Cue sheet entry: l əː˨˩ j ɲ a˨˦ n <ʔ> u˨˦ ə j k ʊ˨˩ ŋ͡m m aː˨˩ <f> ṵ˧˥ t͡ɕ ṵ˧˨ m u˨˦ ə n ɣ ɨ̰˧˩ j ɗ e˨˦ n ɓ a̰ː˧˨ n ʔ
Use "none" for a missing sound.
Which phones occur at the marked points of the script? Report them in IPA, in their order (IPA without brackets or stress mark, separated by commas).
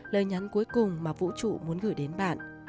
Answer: k, v